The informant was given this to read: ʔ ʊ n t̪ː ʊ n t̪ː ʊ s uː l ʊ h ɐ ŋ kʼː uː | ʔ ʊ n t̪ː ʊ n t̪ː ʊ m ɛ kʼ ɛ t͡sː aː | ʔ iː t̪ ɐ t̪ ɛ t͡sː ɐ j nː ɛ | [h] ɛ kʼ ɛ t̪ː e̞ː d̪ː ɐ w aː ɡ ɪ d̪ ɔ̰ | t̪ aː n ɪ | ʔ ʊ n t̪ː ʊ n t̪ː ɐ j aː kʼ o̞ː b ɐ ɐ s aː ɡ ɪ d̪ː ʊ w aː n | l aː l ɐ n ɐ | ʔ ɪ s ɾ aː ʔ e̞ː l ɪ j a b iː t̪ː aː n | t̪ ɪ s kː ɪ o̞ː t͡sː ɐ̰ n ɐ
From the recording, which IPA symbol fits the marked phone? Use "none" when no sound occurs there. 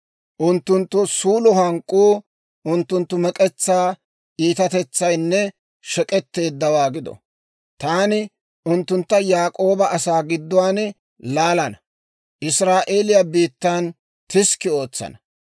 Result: ʃ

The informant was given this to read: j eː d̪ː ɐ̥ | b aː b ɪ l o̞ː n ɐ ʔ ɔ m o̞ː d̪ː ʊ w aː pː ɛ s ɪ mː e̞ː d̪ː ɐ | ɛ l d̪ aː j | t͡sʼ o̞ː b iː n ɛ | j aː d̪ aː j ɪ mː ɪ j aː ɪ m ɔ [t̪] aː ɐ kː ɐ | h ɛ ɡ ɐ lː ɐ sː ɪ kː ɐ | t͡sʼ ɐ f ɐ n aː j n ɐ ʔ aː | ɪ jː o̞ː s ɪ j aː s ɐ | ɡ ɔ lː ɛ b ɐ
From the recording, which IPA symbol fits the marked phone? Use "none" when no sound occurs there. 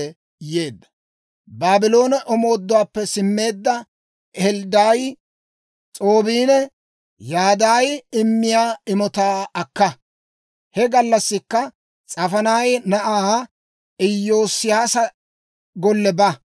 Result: t̪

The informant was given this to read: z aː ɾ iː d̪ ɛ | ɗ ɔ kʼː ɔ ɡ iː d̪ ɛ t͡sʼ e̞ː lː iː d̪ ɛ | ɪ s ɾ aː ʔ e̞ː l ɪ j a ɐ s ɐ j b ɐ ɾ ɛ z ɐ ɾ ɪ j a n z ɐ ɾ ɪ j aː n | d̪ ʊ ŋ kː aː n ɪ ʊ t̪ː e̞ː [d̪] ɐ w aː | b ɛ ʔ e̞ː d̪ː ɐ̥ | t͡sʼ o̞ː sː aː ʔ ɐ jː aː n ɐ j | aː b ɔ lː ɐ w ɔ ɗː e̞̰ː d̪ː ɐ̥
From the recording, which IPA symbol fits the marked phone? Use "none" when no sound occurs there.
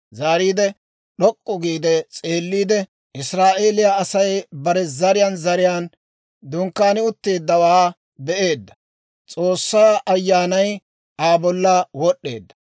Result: d̪ː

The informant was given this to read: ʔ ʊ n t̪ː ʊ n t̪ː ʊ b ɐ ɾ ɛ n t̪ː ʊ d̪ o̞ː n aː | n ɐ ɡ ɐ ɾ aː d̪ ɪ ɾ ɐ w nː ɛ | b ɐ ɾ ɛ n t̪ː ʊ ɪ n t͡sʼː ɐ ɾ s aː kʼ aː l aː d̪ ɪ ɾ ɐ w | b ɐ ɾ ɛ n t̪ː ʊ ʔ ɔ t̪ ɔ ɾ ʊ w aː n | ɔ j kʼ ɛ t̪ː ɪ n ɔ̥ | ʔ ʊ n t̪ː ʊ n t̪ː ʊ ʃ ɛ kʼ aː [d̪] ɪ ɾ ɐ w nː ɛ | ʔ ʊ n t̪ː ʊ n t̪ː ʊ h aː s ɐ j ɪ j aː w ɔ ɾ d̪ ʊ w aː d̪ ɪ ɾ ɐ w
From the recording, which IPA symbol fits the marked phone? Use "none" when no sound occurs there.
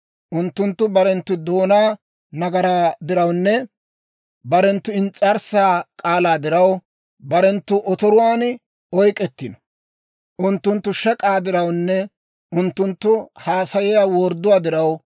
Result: d̪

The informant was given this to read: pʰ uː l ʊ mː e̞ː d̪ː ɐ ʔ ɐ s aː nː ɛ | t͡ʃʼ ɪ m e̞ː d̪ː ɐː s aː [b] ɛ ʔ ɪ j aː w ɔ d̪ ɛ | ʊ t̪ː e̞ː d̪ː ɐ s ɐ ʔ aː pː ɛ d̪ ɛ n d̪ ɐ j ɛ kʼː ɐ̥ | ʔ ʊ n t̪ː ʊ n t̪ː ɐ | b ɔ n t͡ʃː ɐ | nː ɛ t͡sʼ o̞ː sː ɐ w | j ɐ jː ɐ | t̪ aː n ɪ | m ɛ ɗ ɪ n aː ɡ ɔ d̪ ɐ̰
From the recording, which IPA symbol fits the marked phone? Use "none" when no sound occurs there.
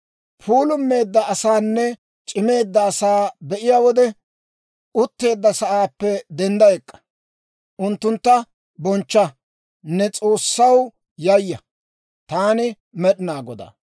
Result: b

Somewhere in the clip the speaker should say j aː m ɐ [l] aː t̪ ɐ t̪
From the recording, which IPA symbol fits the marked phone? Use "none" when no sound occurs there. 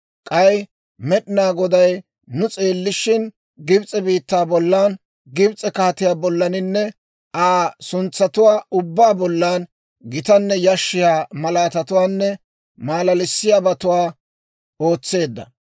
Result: l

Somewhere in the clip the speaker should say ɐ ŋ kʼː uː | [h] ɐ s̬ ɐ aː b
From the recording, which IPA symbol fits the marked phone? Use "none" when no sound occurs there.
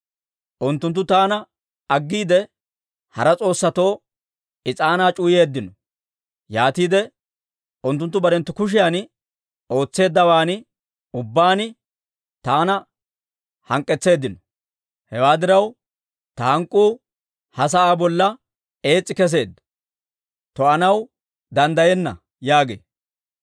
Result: h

